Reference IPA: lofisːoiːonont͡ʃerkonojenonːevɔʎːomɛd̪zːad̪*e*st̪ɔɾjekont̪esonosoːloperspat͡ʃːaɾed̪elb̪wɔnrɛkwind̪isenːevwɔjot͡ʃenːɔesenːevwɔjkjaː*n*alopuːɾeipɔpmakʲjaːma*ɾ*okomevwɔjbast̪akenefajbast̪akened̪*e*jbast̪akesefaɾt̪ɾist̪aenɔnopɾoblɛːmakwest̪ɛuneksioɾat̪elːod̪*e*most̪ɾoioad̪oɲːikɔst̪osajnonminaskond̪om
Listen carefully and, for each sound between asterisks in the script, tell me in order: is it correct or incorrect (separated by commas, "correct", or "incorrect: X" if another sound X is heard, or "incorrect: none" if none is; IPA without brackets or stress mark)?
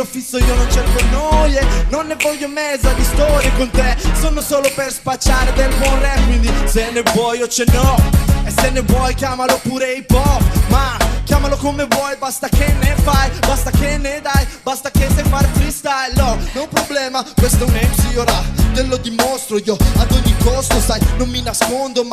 incorrect: i, incorrect: m, incorrect: l, incorrect: a, incorrect: i